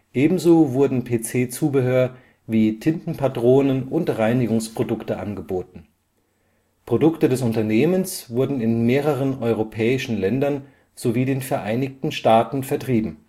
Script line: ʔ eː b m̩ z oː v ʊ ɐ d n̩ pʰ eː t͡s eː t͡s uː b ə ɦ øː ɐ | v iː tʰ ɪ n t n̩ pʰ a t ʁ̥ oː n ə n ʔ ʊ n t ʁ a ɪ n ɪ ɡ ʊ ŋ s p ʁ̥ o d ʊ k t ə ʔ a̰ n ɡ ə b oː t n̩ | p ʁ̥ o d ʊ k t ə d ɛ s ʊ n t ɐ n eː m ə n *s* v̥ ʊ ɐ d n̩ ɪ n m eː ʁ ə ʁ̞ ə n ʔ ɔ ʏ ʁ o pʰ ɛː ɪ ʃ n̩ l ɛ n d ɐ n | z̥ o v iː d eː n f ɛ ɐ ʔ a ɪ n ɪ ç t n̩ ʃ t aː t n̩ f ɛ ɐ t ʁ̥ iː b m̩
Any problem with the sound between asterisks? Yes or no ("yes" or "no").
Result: no